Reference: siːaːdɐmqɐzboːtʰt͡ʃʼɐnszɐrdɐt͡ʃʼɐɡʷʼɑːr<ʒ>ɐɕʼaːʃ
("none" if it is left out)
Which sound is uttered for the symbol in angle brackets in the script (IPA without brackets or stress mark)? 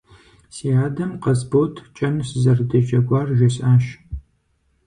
ʒ